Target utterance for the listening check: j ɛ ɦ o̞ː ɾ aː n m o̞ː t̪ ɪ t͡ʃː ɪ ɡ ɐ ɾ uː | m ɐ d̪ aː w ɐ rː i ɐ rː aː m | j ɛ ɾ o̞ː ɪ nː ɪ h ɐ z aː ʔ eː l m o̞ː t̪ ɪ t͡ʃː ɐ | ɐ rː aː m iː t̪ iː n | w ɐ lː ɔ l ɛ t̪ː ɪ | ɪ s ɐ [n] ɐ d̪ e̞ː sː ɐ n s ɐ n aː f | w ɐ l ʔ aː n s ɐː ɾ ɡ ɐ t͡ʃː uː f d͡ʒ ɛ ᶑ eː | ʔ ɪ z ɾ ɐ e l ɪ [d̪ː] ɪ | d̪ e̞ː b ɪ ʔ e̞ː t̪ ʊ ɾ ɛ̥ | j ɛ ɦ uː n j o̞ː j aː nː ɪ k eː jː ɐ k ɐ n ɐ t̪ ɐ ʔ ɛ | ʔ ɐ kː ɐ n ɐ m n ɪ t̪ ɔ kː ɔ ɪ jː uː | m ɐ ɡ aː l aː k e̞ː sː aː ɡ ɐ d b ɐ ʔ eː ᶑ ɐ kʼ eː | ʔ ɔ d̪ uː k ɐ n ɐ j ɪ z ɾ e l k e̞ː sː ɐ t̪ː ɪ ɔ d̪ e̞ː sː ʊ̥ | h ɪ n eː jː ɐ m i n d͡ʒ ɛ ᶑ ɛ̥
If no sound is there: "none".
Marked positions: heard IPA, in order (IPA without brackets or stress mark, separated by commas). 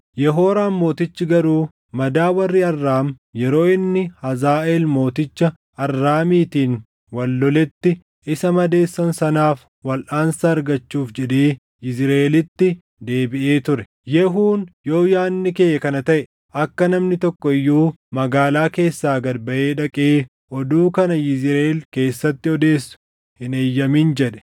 m, t̪ː